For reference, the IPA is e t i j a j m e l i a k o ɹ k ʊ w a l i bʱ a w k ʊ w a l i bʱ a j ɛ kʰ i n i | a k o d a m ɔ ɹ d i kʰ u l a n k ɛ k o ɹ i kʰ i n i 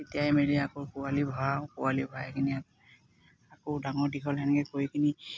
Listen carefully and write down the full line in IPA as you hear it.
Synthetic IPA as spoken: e t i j a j m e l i a k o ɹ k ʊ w a l i bʱ a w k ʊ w a l i bʱ a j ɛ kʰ i n i | a k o d a ŋ ɔ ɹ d i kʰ ɔ l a n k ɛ k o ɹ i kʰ i n i